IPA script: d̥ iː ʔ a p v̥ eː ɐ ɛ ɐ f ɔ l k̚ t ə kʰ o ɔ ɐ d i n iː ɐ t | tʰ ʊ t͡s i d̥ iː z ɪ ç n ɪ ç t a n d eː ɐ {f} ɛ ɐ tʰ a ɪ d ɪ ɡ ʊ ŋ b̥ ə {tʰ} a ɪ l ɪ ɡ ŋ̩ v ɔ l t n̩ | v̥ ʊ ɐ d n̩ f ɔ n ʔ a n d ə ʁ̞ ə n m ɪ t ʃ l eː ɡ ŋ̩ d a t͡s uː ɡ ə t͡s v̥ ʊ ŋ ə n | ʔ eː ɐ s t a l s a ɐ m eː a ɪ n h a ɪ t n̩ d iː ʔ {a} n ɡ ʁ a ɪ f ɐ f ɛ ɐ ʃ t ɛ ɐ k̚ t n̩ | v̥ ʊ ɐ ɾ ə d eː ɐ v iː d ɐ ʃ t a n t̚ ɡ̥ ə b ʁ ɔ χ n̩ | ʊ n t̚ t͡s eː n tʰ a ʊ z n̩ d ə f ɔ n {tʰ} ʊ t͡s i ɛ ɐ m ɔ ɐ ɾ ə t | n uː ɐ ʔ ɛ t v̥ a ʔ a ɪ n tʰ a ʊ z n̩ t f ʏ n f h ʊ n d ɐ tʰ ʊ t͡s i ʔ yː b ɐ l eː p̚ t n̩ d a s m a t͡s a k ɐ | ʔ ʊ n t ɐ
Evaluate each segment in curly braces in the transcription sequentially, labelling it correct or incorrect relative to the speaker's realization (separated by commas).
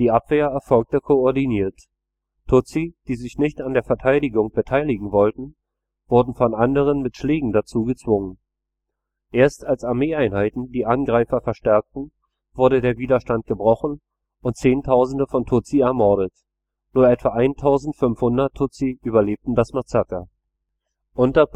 correct, correct, correct, correct